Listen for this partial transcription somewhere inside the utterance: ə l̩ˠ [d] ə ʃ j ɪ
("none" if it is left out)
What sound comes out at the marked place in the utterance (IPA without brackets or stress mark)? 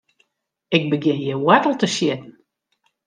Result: t